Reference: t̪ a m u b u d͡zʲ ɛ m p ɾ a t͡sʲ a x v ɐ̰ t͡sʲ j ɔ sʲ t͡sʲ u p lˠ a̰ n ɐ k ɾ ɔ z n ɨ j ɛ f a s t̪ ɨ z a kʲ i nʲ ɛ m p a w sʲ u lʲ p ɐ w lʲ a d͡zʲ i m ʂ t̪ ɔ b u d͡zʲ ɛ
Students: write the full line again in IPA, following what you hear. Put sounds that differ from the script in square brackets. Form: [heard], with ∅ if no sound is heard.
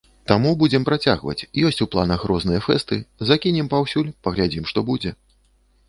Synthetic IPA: t̪ a m u b u d͡zʲ ɛ m p ɾ a t͡sʲ a [ɣ] v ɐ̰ t͡sʲ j ɔ sʲ t͡sʲ u p lˠ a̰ n ɐ [x] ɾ ɔ z n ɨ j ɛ f [ɛ] s t̪ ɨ z a kʲ i nʲ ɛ m p a w sʲ u lʲ p ɐ [ɣ] lʲ a d͡zʲ i m ʂ t̪ ɔ b u d͡zʲ ɛ